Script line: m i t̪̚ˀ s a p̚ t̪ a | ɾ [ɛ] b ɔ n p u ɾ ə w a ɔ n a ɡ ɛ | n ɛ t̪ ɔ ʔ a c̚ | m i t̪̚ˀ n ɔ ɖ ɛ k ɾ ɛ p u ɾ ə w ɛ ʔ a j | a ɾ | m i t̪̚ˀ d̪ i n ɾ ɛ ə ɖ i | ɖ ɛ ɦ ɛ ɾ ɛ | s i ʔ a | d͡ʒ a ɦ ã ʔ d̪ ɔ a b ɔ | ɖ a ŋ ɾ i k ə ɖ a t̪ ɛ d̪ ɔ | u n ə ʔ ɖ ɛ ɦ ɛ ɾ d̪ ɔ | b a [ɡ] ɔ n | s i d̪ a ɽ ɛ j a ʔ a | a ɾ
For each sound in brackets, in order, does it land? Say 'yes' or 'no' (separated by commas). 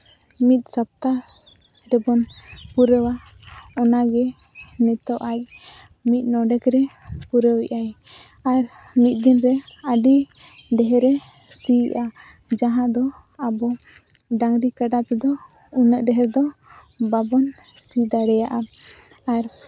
yes, no